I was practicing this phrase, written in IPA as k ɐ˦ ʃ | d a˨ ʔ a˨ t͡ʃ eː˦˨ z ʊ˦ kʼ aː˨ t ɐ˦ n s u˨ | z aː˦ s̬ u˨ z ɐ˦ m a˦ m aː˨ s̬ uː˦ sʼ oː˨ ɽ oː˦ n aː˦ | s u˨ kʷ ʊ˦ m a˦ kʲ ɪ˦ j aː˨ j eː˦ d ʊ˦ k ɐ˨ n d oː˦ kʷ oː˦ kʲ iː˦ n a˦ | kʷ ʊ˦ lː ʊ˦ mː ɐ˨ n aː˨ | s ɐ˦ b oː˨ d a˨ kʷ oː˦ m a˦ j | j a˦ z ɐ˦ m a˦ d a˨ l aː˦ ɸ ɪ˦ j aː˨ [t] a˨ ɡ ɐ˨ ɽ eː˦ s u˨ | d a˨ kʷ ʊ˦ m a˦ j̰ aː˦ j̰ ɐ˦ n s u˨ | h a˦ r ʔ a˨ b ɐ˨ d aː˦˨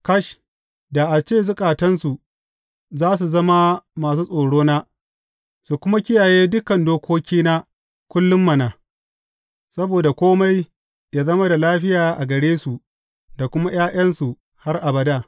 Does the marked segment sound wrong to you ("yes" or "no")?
yes